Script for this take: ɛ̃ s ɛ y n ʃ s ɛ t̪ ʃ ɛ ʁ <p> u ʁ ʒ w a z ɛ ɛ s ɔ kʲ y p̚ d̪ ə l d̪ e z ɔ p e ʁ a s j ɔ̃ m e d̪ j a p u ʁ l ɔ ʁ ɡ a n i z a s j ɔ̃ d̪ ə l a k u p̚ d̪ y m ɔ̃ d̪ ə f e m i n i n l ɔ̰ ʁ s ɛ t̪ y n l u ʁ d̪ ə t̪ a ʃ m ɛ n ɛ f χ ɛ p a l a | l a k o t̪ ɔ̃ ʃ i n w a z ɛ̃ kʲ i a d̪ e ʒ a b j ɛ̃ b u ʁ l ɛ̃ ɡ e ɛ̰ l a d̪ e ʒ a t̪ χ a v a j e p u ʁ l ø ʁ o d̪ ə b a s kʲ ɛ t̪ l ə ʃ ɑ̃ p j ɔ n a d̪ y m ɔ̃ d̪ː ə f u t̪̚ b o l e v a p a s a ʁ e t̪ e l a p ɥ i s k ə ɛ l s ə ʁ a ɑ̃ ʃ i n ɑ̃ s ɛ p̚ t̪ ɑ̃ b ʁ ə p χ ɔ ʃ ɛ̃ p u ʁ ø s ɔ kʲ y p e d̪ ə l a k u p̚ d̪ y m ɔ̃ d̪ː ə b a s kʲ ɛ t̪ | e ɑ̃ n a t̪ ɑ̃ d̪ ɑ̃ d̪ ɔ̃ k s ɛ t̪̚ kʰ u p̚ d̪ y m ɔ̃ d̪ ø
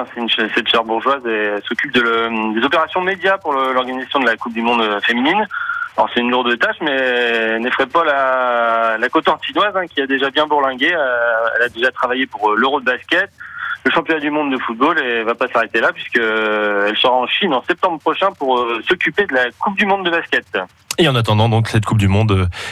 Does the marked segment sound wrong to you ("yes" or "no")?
yes